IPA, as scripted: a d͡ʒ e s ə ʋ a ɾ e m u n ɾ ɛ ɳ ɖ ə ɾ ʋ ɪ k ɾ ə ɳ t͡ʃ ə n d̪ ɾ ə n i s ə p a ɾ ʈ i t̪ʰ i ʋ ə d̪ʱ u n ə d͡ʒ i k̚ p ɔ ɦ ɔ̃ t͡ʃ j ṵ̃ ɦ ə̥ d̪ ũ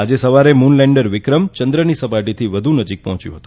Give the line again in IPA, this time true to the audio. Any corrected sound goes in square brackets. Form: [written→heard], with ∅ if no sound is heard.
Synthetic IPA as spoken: a d͡ʒ e s ə ʋ a ɾ e m u n [ɾ→l] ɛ ɳ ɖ ə ɾ ʋ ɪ k ɾ ə [ɳ→m] t͡ʃ ə n d̪ ɾ ə n i s ə p a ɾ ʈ i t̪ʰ i ʋ ə d̪ʱ u n ə d͡ʒ i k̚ p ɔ ɦ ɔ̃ t͡ʃ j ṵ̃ ɦ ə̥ [d̪→t̪] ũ